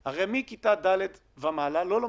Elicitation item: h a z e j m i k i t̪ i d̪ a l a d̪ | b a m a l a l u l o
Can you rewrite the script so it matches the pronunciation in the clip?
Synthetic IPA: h a ʁ e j m i k i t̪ a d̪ a l e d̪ | v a m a l a l o l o